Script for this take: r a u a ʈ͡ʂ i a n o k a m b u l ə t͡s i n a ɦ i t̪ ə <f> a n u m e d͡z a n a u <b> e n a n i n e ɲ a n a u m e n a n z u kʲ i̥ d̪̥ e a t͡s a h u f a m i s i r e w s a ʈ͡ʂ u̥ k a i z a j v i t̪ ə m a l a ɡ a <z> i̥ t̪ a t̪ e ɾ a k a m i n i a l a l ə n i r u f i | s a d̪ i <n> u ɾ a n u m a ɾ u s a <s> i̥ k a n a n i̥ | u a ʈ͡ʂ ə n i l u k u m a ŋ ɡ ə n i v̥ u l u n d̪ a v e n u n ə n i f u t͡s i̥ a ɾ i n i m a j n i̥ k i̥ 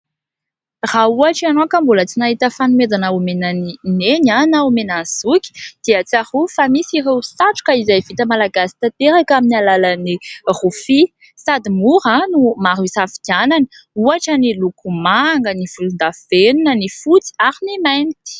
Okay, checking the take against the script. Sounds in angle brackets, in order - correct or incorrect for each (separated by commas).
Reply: correct, incorrect, incorrect, incorrect, incorrect